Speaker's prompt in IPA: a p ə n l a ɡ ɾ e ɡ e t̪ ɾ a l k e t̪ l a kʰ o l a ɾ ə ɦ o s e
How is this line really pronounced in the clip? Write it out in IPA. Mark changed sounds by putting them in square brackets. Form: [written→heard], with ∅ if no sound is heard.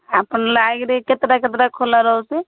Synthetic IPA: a p ə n l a ɡ ɾ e [ɡ→k] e t̪ ɾ a [l→∅] k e t̪ [l→ɾ] a kʰ o l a ɾ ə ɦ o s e